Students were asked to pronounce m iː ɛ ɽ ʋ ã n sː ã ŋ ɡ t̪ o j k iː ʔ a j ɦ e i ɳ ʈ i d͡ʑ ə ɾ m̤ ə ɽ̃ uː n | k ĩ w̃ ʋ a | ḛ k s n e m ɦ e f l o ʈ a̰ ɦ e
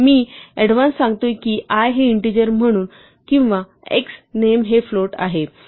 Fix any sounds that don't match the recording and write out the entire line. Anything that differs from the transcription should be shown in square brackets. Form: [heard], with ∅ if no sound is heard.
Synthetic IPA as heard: m iː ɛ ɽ ʋ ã n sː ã ŋ ɡ t̪ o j k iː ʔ a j ɦ e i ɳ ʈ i d͡ʑ ə ɾ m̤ ə ɽ̃ uː n | k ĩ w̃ ʋ a | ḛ k s n e m ɦ e f l o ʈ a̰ ɦ e